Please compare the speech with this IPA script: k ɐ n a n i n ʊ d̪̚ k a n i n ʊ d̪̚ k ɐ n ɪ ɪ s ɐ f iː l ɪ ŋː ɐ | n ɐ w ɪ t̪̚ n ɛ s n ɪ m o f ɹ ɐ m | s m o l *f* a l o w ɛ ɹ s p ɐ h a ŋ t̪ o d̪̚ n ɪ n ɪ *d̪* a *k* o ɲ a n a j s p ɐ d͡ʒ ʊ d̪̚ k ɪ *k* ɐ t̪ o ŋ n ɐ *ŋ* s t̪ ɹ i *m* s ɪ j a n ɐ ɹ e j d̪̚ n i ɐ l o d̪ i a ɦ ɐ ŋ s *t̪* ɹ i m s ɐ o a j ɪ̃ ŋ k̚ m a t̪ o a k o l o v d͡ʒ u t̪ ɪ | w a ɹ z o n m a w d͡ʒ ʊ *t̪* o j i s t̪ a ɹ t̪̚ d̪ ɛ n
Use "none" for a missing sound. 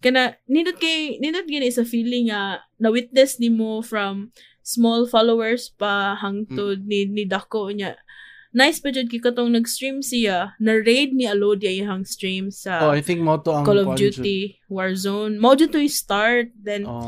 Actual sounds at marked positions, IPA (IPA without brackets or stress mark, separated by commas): f, d̪, k, k, ɡ, m, t̪, t̪